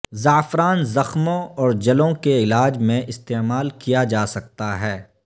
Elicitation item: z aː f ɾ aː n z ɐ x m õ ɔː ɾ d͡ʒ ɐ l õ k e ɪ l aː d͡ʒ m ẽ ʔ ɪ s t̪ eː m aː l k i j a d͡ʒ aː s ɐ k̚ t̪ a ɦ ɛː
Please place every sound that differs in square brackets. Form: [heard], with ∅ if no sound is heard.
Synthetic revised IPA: z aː f ɾ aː n z ɐ x m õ ɔː ɾ d͡ʒ ɐ l õ k e ɪ l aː d͡ʒ m ẽ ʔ ɪ s t̪ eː m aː l k i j a d͡ʒ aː s ɐ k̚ t̪ a ɦ ɛː